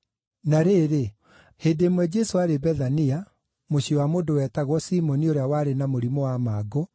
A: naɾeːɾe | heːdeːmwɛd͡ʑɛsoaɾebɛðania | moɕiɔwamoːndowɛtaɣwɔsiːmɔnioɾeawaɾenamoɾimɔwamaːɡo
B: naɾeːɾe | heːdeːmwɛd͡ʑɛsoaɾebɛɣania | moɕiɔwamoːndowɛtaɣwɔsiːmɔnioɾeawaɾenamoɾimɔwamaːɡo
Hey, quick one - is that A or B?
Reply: A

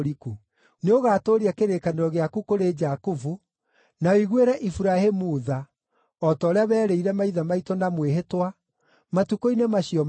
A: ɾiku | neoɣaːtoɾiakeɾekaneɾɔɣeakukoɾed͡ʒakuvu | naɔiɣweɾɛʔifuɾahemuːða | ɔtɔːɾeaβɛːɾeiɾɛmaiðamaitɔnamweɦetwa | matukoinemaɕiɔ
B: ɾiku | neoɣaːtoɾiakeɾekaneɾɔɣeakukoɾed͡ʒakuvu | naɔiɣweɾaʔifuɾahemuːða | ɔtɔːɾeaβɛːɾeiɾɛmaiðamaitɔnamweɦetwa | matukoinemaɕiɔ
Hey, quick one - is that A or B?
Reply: A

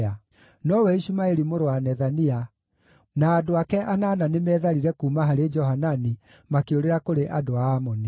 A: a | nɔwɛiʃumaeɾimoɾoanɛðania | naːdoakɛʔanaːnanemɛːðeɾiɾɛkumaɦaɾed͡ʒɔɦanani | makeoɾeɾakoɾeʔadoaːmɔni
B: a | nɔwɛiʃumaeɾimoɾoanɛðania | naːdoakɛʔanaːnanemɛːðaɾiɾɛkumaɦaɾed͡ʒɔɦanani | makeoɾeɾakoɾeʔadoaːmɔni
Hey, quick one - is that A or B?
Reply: B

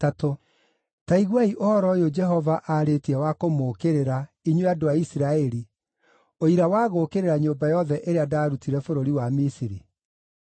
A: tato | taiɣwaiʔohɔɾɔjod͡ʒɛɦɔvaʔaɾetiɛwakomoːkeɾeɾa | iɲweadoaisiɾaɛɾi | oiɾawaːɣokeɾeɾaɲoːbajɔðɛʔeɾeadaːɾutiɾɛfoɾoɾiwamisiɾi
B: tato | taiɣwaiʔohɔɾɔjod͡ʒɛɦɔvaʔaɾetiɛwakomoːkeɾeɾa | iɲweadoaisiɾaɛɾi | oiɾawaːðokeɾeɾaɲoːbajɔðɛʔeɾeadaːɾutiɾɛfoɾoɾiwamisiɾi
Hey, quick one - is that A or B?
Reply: A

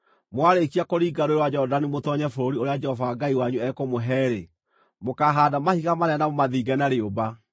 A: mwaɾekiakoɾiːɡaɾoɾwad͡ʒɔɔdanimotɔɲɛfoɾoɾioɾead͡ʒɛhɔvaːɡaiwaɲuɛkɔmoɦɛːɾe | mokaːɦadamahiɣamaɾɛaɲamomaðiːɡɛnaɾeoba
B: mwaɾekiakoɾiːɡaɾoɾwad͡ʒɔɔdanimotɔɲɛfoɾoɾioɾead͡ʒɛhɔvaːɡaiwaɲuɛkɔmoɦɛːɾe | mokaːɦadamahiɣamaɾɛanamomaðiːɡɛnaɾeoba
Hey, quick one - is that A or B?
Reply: B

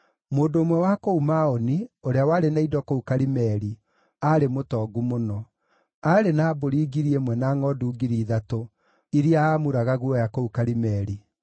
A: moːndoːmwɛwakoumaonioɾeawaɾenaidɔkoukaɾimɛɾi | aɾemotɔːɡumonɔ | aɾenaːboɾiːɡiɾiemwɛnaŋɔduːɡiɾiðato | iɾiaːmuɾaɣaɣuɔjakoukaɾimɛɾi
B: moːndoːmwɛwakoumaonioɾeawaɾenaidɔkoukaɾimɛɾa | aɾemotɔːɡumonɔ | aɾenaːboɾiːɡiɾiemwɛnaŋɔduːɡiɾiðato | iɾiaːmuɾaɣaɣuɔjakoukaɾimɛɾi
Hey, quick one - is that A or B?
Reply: A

